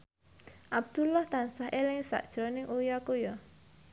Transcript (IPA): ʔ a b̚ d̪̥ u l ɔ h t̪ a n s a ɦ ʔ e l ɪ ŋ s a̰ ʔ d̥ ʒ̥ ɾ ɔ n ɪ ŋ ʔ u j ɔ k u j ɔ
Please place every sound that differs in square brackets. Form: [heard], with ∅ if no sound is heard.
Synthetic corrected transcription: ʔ a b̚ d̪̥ u l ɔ h t̪ a n s a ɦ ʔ e l ɪ ŋ s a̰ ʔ d̥ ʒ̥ ɾ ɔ n ɪ ŋ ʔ u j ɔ k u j ɔ